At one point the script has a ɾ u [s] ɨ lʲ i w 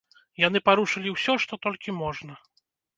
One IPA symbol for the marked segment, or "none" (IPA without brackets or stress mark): ʂ